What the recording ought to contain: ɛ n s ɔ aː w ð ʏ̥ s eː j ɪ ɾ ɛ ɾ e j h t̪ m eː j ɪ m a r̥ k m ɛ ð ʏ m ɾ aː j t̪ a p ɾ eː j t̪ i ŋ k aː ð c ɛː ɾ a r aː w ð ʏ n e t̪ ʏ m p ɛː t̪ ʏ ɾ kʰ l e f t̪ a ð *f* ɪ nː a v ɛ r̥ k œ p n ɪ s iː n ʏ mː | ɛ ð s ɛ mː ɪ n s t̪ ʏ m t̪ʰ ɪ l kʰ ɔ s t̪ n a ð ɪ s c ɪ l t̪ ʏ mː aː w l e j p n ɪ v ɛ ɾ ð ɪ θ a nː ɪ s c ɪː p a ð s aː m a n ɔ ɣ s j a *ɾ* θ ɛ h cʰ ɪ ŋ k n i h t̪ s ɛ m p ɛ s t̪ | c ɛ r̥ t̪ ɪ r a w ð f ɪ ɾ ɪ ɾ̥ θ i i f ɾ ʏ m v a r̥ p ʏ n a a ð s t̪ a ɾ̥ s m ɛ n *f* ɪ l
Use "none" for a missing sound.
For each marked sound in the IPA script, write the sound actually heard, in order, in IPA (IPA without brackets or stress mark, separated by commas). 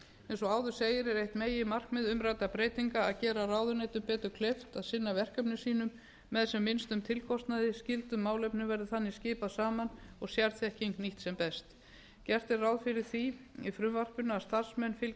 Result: s, ɾ, f